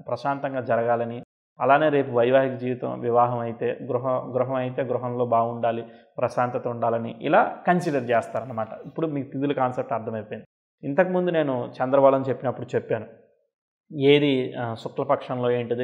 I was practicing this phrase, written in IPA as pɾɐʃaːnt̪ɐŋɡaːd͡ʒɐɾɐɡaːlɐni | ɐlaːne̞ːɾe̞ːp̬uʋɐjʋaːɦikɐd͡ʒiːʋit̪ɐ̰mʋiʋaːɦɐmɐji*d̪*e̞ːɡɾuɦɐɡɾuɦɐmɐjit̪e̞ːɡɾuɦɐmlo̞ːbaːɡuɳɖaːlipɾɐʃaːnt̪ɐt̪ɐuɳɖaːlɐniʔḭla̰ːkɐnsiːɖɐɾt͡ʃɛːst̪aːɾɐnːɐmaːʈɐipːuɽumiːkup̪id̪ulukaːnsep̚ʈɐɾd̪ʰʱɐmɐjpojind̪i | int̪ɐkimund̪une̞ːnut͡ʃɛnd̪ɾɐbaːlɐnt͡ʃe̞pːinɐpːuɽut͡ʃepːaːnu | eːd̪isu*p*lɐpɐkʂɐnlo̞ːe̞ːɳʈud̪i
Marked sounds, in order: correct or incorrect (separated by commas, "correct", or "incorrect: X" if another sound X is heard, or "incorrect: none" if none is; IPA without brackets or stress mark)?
incorrect: t̪, incorrect: k